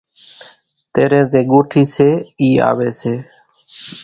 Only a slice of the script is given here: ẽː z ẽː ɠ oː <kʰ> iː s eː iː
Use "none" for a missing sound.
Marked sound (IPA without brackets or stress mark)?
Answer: ʈʰ